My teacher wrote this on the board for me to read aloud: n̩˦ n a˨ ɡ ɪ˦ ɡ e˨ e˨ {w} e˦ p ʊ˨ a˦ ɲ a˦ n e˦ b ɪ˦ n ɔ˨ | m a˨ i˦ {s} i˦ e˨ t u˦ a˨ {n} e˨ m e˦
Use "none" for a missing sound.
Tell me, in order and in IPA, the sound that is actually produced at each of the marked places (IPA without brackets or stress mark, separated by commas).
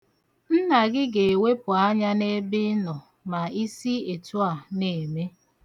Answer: w, s, n